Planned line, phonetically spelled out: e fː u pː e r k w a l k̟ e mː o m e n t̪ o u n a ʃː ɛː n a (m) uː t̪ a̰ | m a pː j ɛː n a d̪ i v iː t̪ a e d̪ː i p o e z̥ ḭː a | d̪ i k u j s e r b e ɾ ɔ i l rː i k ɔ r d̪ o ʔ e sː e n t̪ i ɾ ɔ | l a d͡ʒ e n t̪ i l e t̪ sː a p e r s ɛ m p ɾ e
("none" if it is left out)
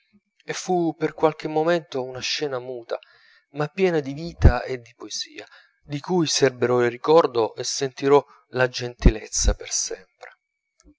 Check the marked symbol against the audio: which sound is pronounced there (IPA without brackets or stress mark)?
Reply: m